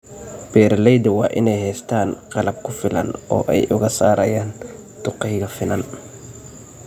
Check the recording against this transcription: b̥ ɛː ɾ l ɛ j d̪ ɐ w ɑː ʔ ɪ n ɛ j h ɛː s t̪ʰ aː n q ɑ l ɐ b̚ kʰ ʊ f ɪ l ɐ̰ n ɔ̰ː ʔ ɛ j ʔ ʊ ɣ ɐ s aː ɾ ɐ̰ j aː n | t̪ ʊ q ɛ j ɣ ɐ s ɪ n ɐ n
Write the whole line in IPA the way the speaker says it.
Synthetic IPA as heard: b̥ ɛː ɾ l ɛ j d̪ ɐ w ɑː ʔ ɪ n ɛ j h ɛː s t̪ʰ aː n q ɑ l ɐ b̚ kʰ ʊ f ɪ l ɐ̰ n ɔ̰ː ʔ ɛ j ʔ ʊ ɣ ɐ s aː ɾ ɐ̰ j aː n | t̪ ʊ q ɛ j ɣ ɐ f ɪ n ɐ n